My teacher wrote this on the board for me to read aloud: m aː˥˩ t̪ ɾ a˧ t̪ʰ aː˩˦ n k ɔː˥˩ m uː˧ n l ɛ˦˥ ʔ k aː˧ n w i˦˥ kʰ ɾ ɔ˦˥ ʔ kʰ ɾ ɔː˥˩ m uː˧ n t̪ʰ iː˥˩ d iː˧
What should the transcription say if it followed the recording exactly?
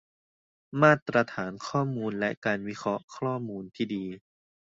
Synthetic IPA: m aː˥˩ t̪ ɾ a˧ t̪ʰ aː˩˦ n kʰ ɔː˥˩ m uː˧ n l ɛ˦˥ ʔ k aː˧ n w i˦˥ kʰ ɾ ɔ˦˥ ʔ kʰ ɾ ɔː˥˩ m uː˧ n t̪ʰ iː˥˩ d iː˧